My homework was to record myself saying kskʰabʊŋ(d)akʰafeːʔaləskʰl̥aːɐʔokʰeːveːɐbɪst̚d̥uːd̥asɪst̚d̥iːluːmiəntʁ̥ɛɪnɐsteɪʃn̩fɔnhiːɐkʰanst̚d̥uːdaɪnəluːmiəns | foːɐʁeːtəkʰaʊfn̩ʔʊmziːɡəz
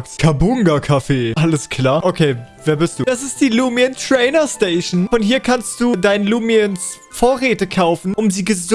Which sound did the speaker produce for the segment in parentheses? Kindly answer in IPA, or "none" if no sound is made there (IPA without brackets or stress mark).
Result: ɡ